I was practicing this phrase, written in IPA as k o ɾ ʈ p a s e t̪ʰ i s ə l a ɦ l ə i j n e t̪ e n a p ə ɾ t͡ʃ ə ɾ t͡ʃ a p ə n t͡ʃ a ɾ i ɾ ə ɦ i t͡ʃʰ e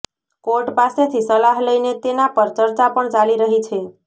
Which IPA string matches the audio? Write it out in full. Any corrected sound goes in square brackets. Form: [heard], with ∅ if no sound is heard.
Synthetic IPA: k o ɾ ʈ p a s e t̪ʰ i s ə l a ɦ l ə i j n e t̪ e n a p ə ɾ t͡ʃ ə ɾ t͡ʃ a p ə [ɳ] t͡ʃ a [l] i ɾ ə ɦ i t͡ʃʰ e